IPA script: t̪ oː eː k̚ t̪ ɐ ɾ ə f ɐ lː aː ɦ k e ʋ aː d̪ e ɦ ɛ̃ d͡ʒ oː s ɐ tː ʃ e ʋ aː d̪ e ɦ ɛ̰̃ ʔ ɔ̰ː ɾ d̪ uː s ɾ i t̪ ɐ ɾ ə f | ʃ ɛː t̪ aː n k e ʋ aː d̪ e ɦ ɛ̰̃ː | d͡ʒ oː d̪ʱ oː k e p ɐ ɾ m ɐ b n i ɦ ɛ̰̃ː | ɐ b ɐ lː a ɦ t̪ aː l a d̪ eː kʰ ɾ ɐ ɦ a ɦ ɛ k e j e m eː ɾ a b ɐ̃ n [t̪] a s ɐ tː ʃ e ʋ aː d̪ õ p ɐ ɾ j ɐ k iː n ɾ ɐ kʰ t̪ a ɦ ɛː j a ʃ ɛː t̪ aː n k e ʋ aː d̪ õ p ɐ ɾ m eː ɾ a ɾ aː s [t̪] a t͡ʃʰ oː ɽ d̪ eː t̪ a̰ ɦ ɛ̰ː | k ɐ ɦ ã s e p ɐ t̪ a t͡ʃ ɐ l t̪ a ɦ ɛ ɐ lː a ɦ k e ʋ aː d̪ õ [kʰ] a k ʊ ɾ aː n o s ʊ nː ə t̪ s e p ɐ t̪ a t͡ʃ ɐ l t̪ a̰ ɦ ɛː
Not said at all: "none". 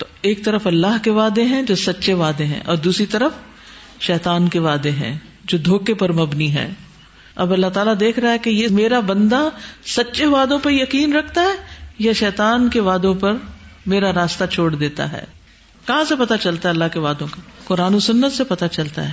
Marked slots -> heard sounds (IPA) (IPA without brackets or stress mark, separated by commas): d̪, t̪, k